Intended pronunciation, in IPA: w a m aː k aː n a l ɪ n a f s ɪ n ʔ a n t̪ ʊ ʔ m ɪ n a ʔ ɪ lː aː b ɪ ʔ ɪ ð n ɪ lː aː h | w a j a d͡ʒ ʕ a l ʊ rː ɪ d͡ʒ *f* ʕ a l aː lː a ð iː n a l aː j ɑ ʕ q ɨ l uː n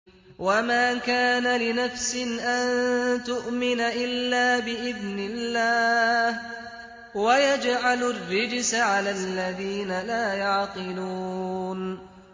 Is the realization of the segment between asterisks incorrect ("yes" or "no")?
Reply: yes